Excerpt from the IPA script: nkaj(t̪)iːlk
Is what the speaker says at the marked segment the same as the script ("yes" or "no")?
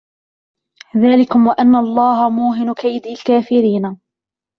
no